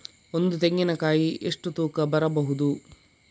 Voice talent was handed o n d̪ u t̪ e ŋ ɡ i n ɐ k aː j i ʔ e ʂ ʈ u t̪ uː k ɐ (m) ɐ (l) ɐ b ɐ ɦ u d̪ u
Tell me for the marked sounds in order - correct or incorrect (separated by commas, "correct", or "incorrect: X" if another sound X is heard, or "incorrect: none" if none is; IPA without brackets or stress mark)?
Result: incorrect: b, incorrect: ɾ